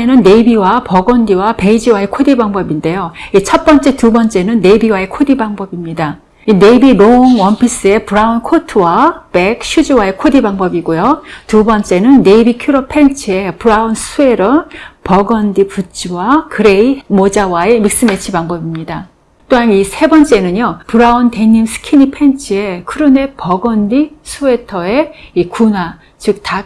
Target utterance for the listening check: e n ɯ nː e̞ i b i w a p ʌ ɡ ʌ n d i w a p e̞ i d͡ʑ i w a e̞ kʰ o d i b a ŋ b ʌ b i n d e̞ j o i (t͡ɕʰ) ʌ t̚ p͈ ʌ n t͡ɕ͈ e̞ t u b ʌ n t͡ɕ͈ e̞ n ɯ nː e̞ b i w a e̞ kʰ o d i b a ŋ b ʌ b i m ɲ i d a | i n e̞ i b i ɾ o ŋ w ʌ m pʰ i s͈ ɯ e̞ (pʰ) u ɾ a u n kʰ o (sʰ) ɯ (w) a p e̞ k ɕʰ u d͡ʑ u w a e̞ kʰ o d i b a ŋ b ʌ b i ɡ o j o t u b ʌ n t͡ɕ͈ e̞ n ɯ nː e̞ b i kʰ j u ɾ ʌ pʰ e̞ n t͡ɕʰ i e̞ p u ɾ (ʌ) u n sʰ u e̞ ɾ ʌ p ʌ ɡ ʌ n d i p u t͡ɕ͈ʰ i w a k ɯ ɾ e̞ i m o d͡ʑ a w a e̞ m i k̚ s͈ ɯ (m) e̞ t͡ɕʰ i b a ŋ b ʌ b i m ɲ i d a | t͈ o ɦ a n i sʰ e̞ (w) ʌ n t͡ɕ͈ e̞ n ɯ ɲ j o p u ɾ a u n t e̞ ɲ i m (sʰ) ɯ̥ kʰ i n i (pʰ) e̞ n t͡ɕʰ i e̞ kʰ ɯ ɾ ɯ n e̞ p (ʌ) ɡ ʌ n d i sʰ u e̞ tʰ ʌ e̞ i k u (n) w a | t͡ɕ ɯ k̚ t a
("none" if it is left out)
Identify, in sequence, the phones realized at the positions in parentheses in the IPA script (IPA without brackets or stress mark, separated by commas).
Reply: t͡ɕʰ, p, tʰ, w, a, m, b, sʰ, pʰ, ʌ, n